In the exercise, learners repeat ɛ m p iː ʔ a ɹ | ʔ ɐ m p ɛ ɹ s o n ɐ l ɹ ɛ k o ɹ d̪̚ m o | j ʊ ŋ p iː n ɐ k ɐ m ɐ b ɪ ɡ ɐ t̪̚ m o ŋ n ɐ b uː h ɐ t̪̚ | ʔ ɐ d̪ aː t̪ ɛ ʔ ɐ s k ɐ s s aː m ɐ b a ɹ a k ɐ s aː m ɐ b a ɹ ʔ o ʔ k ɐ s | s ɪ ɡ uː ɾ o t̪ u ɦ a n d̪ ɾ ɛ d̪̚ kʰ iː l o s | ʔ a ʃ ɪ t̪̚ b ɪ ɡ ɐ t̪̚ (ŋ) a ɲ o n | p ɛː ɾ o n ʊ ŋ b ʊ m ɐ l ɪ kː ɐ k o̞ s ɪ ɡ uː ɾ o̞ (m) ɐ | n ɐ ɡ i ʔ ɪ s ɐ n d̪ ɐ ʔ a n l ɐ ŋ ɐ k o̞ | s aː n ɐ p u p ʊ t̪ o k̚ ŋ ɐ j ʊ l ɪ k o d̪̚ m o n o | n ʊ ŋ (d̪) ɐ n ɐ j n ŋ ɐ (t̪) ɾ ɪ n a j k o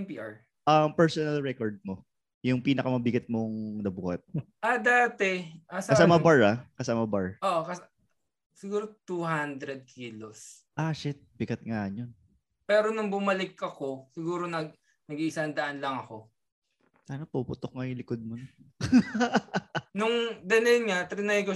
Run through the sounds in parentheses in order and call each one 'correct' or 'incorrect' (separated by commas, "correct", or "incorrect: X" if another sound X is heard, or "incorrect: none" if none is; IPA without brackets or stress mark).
correct, incorrect: n, correct, correct